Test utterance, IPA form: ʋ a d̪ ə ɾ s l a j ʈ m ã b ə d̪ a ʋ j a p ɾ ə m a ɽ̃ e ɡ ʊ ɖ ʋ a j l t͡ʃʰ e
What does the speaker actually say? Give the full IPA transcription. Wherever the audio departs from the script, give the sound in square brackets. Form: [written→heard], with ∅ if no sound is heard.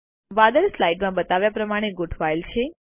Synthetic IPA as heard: ʋ a d̪ ə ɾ s l a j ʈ m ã b ə [d̪→t̪] a ʋ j a p ɾ ə m a ɽ̃ e ɡ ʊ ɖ ʋ a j l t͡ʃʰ e